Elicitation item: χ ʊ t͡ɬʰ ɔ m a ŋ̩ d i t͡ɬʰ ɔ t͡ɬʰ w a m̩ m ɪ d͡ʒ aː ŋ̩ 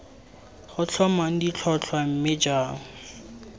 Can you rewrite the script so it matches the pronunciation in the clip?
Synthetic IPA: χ ʊ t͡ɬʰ ɔ m a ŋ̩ d i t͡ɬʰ ɔ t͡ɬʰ w a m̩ m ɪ d͡ʒ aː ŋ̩